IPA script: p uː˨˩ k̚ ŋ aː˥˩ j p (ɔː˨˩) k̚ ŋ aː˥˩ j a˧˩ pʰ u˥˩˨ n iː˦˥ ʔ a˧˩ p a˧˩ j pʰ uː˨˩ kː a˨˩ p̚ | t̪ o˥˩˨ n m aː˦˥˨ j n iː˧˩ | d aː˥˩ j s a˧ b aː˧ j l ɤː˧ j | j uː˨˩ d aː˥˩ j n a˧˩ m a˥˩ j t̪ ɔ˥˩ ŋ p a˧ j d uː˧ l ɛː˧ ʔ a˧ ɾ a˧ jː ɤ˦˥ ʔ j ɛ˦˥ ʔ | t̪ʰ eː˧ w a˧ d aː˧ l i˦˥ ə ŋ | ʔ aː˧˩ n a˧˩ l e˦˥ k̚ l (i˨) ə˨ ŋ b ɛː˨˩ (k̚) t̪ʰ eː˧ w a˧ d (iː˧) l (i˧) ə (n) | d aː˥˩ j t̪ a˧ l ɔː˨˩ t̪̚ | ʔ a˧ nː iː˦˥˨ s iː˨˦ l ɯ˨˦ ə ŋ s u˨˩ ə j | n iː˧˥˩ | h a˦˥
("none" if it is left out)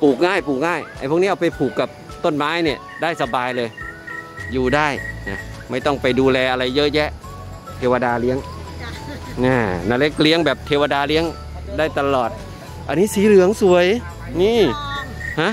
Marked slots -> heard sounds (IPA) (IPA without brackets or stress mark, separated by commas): uː˨˩, i˧˦˥, p̚, aː˧, i˦˥, ŋ